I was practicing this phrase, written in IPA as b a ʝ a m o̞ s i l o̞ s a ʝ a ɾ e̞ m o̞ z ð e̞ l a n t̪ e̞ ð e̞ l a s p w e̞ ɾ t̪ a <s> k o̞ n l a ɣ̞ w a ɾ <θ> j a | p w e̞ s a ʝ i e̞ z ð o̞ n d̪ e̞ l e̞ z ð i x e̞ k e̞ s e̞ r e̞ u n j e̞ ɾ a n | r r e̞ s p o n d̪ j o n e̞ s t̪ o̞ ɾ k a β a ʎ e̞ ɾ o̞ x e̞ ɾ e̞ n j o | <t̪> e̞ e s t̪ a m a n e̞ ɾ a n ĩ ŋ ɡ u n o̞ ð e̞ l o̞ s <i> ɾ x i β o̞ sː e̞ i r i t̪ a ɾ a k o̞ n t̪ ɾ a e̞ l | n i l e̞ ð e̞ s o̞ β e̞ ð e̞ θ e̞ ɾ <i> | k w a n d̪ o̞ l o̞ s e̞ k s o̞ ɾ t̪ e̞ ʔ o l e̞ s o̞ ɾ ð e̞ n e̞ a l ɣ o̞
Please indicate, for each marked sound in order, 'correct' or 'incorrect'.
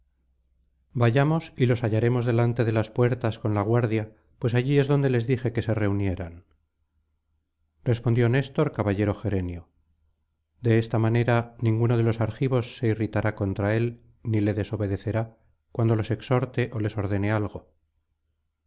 correct, incorrect, incorrect, incorrect, incorrect

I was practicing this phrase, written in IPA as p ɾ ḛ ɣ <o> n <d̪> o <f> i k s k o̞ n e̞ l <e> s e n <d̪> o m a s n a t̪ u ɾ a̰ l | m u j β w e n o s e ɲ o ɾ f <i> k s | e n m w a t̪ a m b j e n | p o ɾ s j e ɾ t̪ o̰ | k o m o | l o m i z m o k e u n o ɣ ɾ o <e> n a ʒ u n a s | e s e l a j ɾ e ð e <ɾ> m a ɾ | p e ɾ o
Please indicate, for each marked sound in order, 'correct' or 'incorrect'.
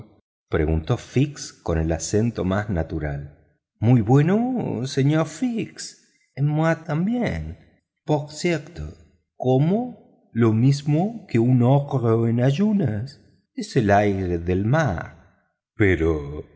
incorrect, incorrect, correct, incorrect, incorrect, correct, correct, incorrect

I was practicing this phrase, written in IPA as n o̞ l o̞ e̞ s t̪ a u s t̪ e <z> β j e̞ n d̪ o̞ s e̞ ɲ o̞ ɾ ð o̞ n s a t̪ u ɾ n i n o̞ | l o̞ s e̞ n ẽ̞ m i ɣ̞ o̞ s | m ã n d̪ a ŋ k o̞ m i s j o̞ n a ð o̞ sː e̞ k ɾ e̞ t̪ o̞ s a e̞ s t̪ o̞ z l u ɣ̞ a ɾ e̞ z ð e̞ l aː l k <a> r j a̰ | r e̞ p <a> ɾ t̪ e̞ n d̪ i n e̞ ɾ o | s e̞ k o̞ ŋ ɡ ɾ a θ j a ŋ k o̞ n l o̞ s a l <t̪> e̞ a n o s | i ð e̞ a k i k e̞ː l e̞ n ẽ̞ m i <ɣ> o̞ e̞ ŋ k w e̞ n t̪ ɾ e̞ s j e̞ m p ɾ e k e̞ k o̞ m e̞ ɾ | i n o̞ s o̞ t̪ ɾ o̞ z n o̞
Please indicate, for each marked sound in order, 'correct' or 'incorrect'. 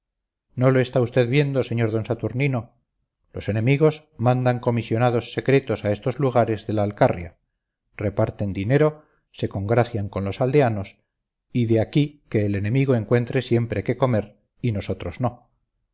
incorrect, correct, correct, incorrect, correct

